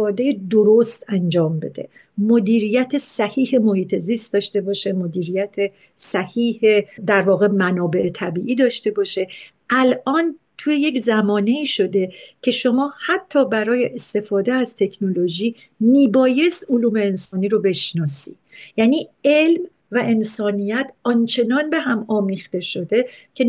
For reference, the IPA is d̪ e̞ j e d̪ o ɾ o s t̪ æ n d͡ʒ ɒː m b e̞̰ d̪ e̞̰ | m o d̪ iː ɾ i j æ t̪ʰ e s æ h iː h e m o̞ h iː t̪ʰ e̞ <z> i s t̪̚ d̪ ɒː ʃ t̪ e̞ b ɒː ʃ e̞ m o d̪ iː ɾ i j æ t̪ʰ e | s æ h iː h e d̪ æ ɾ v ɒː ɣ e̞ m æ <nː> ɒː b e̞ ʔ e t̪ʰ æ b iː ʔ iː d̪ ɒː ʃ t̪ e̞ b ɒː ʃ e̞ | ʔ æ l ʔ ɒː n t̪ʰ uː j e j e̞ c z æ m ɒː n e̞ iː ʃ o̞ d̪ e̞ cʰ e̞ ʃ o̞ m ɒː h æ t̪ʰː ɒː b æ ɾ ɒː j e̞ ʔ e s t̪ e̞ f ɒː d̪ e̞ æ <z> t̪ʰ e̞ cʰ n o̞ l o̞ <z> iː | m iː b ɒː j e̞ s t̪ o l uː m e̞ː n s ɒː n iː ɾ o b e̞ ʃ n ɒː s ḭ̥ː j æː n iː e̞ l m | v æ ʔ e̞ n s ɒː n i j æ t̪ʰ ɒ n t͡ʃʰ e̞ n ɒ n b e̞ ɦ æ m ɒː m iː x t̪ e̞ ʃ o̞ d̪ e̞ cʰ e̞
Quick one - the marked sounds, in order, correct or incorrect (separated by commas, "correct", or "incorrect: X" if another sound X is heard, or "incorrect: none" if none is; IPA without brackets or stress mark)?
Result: correct, incorrect: n, correct, incorrect: ʒ